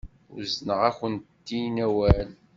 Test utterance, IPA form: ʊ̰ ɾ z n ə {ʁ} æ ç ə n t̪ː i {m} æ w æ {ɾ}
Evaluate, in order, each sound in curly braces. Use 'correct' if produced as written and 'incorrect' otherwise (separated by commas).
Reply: correct, incorrect, incorrect